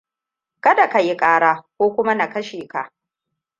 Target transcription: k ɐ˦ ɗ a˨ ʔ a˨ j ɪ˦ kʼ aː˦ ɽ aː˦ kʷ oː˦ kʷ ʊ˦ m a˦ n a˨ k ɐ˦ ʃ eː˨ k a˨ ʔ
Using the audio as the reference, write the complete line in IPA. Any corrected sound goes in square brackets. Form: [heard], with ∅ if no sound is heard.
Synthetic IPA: k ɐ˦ [d] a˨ [k] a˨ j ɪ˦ kʼ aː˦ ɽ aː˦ kʷ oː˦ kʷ ʊ˦ m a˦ n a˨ k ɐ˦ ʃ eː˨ k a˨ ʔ